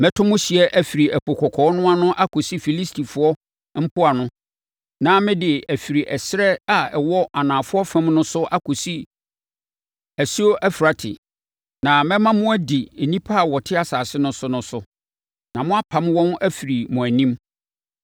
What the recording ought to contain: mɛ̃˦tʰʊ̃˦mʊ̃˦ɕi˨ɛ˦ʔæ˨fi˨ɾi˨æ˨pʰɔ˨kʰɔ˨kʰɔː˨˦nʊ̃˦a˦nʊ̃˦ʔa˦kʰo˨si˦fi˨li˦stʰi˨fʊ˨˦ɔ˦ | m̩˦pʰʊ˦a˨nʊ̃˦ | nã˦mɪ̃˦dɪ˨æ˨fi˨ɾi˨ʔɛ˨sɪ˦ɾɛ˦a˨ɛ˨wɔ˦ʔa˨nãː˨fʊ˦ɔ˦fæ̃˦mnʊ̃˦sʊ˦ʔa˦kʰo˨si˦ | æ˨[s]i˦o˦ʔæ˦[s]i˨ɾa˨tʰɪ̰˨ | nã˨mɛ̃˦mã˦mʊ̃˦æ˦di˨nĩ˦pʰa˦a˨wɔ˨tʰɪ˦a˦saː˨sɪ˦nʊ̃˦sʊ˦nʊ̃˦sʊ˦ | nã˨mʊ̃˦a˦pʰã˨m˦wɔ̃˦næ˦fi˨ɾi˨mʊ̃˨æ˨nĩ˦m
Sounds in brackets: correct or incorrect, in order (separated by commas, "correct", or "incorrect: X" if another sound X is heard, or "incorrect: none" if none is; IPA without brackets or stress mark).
correct, incorrect: f